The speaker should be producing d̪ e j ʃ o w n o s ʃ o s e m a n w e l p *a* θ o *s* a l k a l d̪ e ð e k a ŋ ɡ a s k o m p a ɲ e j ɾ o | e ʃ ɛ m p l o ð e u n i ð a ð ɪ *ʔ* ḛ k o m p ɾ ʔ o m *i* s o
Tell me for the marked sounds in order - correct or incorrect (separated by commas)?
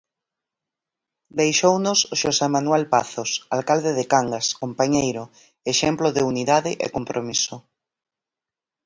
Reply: correct, correct, correct, correct